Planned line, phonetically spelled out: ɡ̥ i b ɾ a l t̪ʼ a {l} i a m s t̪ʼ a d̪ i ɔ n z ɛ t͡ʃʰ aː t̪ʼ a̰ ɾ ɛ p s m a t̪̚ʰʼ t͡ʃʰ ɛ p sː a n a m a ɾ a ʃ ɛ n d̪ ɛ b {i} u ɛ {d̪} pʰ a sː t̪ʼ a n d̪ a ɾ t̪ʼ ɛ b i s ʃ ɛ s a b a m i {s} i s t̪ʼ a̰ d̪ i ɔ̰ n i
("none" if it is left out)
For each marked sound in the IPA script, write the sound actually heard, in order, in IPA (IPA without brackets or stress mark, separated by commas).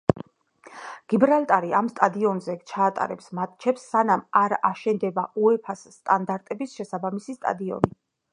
ɾ, a, none, s